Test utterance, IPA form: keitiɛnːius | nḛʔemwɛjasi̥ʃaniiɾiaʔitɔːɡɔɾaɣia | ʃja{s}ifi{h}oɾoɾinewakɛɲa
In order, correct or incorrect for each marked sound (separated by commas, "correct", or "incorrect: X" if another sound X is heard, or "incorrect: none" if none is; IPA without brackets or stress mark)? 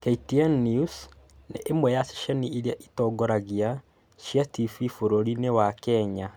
incorrect: t, incorrect: f